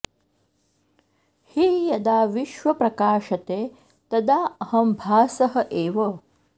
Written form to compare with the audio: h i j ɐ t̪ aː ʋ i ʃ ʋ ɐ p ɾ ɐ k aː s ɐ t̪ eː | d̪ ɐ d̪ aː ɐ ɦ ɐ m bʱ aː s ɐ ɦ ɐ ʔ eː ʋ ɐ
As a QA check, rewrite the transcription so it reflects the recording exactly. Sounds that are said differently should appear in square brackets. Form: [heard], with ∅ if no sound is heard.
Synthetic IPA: h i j ɐ [d̪] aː ʋ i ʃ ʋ ɐ p ɾ ɐ k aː [ʃ] ɐ t̪ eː | [t̪] ɐ d̪ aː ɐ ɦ ɐ m bʱ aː s ɐ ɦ ɐ ʔ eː ʋ ɐ